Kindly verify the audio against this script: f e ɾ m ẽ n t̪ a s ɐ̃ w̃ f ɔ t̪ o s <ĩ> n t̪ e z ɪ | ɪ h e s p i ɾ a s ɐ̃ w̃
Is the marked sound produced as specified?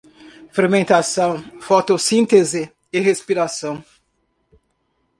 yes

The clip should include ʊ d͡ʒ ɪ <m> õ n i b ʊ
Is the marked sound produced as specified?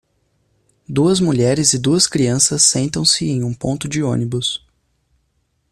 no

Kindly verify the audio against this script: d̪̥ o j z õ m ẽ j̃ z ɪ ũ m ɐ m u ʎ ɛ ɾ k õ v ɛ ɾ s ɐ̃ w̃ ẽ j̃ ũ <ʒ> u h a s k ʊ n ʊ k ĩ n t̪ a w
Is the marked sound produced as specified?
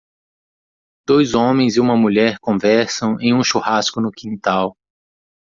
no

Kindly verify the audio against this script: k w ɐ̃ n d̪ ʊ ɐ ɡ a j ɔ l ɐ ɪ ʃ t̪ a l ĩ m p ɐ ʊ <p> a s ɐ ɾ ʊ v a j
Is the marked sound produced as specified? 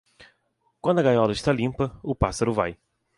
yes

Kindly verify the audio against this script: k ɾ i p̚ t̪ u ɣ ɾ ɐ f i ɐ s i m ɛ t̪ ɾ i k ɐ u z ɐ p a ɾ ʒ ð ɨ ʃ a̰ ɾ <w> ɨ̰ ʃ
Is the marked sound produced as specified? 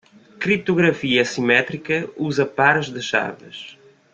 no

